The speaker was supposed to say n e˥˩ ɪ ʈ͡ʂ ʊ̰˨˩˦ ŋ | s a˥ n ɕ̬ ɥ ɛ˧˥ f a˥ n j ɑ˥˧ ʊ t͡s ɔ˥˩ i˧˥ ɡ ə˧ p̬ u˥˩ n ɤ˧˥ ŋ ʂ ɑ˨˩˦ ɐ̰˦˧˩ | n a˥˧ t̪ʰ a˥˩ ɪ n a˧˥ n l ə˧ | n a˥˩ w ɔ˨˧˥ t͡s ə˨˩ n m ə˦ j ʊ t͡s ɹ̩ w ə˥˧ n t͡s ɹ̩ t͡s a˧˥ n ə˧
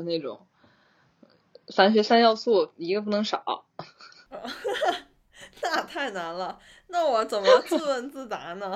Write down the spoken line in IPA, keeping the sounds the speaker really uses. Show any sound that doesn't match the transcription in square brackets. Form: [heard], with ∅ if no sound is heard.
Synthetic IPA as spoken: n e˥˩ ɪ ʈ͡ʂ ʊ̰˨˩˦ ŋ | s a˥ n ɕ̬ ɥ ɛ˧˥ [s] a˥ n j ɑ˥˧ ʊ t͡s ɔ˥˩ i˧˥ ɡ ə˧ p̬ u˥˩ n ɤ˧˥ ŋ ʂ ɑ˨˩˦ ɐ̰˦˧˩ | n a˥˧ t̪ʰ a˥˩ ɪ n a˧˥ n l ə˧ | n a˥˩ w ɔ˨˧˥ t͡s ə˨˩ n m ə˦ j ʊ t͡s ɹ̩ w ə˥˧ n t͡s ɹ̩ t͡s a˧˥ n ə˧